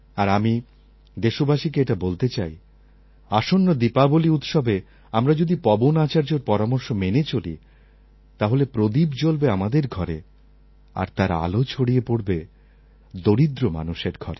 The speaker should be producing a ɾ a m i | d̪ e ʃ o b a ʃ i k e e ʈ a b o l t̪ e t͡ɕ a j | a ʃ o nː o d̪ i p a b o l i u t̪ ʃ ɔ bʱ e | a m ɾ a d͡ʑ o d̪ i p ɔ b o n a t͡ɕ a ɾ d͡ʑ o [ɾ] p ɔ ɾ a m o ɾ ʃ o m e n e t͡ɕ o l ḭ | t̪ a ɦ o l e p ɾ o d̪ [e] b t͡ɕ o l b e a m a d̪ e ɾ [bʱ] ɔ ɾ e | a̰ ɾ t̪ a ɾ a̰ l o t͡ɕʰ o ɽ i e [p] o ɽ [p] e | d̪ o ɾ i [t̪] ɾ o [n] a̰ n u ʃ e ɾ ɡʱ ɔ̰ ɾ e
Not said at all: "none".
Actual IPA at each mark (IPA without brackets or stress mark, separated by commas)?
ɾ, i, ɡʱ, p, b, d̪, m